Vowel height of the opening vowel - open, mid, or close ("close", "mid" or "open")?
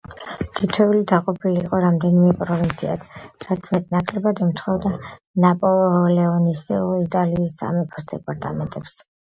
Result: close